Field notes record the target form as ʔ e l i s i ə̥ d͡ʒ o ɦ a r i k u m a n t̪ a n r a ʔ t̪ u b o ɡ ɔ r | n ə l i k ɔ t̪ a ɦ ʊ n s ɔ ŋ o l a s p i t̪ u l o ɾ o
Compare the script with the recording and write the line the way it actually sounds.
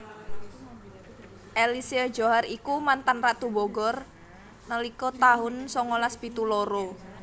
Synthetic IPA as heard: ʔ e l i s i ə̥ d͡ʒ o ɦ a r i k u m a n t̪ a n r a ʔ t̪ u b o ɡ ɔ r | n ə l i k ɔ t̪ a ɦ ʊ n s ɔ ŋ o l a s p i t̪ u l o ɾ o

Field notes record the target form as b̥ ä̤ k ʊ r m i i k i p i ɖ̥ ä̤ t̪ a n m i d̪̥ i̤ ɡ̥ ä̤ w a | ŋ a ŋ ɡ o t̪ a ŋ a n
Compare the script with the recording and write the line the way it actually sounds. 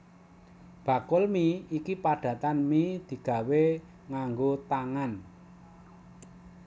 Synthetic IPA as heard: b̥ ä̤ k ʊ l m i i k i p a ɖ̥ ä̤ t̪ a n m i d̪̥ i̤ ɡ̥ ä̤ w e | ŋ a ŋ ɡ o t̪ a ŋ a n

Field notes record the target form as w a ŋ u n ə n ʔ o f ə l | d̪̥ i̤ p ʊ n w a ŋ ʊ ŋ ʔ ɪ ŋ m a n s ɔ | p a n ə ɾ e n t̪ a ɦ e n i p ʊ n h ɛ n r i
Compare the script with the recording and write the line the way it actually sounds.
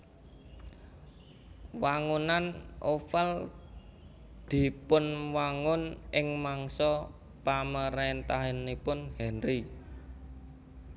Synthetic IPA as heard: w a ŋ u n a n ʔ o f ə l | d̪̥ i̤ p ʊ n w a ŋ ʊ n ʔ ɪ ŋ m a ŋ s ɔ | p a m ə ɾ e n t̪ a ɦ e n i p ʊ n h ɛ n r i

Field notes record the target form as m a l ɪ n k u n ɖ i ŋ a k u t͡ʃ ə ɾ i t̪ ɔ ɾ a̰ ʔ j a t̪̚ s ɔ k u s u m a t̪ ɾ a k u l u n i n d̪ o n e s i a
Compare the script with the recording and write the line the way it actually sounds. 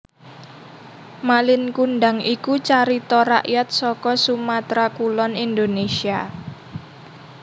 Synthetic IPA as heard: m a l ɪ n k u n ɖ a ŋ i k u t͡ʃ a ɾ i t̪ ɔ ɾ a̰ ʔ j a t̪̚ s ɔ k ɔ s u m a t̪ ɾ a k u l ɔ n i n d̪ o n e s i a

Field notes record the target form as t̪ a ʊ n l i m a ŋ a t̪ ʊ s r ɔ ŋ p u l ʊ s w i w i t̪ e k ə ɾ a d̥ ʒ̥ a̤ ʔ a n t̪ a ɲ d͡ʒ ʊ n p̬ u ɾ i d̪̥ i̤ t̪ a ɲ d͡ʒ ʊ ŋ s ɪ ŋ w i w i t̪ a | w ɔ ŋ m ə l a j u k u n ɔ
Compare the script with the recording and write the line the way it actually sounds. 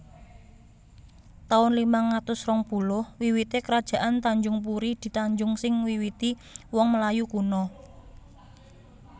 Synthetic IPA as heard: t̪ a ʊ n l i m a ŋ a t̪ ʊ s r ɔ ŋ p u l ʊ h w i w i t̪ e k ə ɾ a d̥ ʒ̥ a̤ ʔ a n t̪ a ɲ d͡ʒ ʊ ŋ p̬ u ɾ i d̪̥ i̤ t̪ a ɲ d͡ʒ ʊ ŋ s ɪ ŋ w i w i t̪ i | w ɔ ŋ m ə l a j u k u n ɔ

